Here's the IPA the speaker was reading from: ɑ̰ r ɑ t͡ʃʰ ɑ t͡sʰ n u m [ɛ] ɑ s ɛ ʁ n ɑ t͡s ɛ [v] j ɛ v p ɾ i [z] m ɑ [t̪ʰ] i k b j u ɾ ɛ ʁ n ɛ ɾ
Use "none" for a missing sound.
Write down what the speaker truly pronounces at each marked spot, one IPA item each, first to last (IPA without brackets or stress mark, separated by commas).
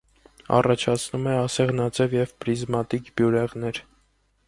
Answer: ɛ, v, z, t̪